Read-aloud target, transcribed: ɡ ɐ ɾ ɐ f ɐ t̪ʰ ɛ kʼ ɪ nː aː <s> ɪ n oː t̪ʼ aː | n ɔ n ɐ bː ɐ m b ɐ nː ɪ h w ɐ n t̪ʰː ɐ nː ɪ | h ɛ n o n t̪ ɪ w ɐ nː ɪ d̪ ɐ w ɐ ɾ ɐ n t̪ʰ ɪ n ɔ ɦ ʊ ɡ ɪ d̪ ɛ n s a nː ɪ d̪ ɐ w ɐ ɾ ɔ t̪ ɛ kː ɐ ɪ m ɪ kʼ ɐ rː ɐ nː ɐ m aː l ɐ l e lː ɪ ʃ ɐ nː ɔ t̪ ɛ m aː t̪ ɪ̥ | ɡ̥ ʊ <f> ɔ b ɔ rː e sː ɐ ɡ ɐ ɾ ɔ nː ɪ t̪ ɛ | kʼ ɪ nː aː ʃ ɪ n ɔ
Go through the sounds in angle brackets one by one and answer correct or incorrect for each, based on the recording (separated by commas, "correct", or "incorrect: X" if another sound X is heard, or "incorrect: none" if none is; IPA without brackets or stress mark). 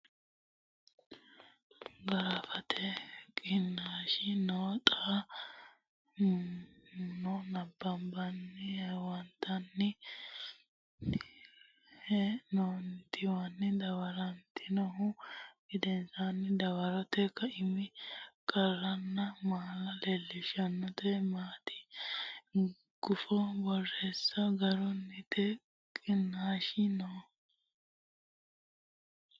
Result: incorrect: ʃ, correct